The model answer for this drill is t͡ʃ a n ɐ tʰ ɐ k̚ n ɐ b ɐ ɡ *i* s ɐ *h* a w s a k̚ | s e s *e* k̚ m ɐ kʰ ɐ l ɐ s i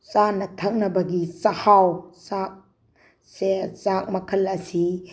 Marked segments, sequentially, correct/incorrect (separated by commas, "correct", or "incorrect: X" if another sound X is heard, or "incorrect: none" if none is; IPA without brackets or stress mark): correct, correct, incorrect: a